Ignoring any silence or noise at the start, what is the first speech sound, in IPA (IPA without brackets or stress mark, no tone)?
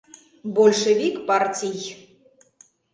b